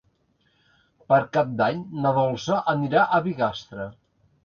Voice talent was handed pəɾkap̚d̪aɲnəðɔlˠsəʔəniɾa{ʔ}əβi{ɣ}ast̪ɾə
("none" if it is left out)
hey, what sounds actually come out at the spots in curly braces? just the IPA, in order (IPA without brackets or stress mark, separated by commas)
ʔ, ɣ